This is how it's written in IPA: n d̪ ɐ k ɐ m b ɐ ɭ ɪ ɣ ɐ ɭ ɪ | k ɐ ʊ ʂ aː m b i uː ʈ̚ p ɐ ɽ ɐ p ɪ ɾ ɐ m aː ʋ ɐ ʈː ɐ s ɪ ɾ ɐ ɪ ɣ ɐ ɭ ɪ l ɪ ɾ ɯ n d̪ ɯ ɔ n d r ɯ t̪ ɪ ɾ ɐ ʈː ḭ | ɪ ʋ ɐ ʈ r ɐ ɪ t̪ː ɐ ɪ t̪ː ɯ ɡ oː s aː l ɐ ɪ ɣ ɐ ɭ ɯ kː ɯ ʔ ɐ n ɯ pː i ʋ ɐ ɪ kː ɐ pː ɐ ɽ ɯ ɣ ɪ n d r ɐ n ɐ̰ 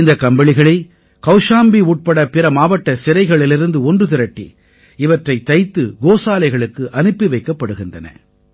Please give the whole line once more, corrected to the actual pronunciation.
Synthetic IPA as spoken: n d̪ ɐ k ɐ m b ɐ ɭ ɪ ɣ ɐ ɭ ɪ | k ɐ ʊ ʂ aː m b i uː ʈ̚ p ɐ ɽ ɐ p ɪ ɾ ɐ m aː ʋ ɐ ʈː ɐ s ɪ ɾ ɐ ɪ ɣ ɐ ɭ ɪ l ɪ ɾ ɯ n d̪ ɯ ɔ n d r ɯ t̪ ɪ ɾ ɐ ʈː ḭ | ɪ ʋ ɐ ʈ r ɐ ɪ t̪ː ɐ ɪ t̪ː ɯ ɡ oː s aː l ɐ ɪ ɣ ɐ ɭ ɯ kː ɯ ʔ ɐ n ɯ pː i ʋ ɐ ɪ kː ɐ pː ɐ ɽ ɯ ɣ ɪ n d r ɐ n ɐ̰